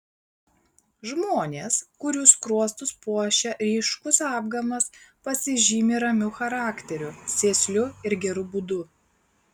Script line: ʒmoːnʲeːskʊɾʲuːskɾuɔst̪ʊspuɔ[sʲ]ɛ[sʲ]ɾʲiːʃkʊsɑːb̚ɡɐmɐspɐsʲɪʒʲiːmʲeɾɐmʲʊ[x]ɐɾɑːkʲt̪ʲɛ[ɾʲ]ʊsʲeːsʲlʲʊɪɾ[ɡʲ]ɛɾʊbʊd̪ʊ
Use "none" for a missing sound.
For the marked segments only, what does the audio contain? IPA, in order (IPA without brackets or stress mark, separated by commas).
ʃʲ, none, x, ɾʲ, ɡʲ